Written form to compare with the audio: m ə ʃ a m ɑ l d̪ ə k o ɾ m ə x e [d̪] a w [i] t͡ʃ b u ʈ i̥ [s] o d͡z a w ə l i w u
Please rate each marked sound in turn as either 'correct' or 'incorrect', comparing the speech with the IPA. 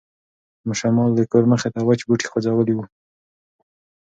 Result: incorrect, incorrect, incorrect

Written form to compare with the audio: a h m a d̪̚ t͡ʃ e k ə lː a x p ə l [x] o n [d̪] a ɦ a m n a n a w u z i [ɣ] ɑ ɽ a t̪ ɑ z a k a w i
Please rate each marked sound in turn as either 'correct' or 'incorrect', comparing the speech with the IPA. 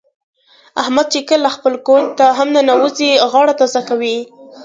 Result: incorrect, incorrect, correct

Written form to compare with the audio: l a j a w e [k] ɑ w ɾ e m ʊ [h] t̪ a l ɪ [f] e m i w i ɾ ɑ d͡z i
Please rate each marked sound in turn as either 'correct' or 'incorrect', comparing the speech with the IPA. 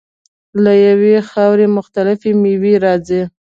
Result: incorrect, incorrect, correct

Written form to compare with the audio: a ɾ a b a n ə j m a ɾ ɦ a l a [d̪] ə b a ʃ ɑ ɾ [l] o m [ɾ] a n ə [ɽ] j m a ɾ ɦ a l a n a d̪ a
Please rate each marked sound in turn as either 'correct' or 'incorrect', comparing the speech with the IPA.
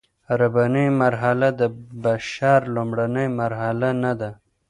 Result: correct, correct, incorrect, incorrect

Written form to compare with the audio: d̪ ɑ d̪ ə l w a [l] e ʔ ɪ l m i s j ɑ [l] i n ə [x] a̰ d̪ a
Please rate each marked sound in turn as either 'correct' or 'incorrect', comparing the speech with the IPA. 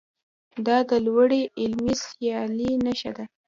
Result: incorrect, correct, incorrect

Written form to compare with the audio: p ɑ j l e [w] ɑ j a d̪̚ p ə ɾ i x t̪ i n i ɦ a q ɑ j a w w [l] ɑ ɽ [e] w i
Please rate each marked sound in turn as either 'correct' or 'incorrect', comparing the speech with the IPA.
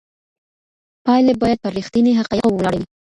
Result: incorrect, correct, incorrect

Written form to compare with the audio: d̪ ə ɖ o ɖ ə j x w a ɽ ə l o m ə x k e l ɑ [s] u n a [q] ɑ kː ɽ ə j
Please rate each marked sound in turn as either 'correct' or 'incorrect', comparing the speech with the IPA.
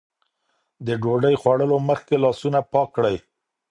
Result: correct, incorrect

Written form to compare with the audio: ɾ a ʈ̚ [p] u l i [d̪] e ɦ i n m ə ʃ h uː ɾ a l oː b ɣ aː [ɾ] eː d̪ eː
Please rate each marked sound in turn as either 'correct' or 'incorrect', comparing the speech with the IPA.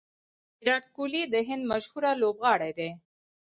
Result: incorrect, correct, incorrect

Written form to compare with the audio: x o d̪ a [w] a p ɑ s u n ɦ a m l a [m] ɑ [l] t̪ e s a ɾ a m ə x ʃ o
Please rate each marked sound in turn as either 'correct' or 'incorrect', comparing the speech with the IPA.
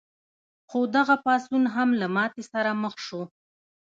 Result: incorrect, correct, incorrect

